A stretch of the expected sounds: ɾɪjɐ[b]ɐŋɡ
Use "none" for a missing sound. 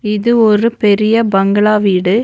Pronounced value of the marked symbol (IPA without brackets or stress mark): b